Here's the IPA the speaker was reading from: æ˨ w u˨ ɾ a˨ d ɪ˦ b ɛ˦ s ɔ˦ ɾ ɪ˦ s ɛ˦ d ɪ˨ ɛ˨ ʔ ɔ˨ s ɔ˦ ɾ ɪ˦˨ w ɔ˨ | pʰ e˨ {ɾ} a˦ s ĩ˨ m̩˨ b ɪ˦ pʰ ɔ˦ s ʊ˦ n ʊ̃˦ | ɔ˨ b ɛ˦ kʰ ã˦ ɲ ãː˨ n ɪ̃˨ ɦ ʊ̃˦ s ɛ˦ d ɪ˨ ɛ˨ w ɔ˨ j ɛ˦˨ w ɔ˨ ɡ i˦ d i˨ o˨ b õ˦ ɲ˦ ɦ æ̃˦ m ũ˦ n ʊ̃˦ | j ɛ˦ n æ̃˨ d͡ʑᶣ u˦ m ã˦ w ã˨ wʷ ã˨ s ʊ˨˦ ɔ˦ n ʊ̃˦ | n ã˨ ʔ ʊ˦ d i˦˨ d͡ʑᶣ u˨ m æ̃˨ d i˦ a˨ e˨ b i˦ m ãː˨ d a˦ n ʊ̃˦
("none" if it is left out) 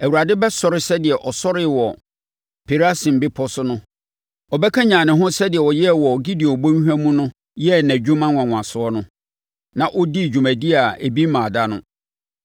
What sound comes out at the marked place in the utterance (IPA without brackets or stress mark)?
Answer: ɾ